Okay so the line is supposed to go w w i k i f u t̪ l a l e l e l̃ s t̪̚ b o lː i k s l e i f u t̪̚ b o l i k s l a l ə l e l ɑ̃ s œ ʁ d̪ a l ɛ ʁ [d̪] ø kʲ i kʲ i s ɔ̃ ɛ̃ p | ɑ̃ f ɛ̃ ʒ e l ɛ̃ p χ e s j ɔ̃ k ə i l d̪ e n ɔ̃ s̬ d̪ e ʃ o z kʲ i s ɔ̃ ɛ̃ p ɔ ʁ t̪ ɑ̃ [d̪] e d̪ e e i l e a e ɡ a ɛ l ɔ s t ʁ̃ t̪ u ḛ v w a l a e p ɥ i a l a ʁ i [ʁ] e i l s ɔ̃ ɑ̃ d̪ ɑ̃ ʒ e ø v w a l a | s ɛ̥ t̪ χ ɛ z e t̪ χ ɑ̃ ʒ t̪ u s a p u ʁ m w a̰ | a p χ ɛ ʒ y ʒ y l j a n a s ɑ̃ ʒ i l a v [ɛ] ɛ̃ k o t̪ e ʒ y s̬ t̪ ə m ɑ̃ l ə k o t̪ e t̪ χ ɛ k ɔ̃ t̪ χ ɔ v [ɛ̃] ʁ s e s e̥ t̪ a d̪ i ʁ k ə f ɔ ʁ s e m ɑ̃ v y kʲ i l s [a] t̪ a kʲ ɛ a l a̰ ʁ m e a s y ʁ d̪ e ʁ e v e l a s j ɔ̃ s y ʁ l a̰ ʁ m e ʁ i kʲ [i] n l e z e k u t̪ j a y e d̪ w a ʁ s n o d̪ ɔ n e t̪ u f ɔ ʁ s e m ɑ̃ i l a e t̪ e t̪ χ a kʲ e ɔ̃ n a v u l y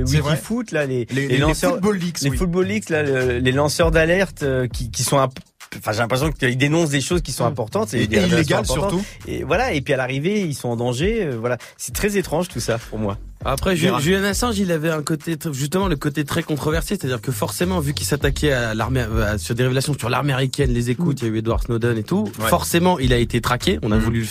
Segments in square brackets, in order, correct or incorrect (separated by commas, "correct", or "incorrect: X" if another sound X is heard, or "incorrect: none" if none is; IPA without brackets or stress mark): incorrect: t̪, incorrect: t̪, incorrect: v, correct, incorrect: ɛ, correct, incorrect: ɛ